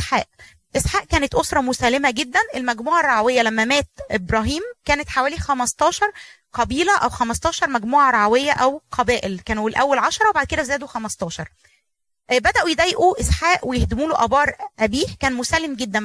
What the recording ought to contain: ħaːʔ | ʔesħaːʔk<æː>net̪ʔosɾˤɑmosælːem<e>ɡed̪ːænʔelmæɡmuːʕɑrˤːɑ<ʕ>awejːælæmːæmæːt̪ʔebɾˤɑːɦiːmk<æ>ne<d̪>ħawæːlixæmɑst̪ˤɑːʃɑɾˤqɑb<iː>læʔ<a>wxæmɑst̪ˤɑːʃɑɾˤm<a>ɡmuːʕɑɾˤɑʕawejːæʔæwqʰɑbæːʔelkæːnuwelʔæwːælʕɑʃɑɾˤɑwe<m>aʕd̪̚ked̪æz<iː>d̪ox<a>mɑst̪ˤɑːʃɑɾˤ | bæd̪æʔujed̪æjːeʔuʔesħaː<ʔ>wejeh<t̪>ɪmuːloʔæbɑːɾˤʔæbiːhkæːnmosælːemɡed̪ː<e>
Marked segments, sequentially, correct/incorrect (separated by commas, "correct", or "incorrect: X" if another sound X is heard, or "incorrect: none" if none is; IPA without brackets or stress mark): correct, incorrect: æ, correct, incorrect: æː, incorrect: t̪, correct, incorrect: æ, incorrect: æ, incorrect: b, incorrect: æː, incorrect: æ, correct, incorrect: d̪, incorrect: æ